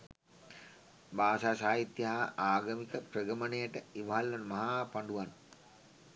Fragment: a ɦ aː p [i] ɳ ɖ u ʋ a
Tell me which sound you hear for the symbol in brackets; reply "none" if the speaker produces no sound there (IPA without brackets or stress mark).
a